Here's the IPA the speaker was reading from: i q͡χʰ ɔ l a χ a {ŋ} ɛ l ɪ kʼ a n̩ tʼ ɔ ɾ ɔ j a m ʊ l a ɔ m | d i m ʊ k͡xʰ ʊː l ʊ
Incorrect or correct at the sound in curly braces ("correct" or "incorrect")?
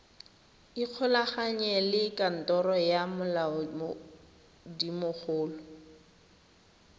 incorrect